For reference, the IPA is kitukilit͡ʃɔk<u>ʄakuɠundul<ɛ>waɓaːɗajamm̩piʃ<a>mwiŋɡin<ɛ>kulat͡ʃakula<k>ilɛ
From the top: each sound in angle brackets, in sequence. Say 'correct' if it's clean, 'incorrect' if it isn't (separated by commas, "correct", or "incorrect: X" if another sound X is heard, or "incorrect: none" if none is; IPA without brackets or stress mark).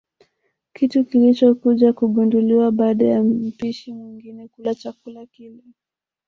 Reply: correct, incorrect: i, incorrect: i, correct, correct